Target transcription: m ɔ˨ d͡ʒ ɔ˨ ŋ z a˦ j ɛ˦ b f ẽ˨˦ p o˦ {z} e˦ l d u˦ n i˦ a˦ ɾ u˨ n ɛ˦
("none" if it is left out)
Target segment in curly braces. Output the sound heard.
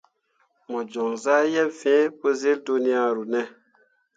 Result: z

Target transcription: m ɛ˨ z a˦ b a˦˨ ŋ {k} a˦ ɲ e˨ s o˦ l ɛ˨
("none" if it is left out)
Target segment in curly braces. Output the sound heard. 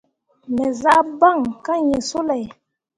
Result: k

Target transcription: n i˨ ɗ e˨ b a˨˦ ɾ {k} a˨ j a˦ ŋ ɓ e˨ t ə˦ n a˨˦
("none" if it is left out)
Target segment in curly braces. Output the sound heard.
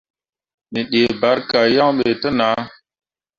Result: k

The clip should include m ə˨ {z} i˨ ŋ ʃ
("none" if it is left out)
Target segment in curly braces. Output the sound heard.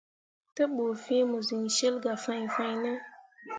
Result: z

